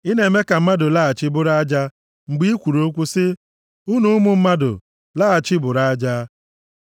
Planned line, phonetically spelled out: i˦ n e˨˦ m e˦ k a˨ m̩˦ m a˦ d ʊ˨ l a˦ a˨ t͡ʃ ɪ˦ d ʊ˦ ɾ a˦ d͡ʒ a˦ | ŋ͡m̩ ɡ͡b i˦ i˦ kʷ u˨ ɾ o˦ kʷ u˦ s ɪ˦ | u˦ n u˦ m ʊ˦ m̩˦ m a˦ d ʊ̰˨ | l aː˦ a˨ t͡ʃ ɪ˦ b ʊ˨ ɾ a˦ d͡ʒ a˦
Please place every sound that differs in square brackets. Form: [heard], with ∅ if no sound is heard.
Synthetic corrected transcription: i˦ n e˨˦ m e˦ k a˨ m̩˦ m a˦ d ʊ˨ l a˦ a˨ t͡ʃ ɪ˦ [b] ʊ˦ ɾ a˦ d͡ʒ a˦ | ŋ͡m̩ ɡ͡b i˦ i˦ kʷ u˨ ɾ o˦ kʷ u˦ s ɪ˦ | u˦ n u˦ m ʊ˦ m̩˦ m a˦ d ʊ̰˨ | l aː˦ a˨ t͡ʃ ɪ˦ b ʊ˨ ɾ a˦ d͡ʒ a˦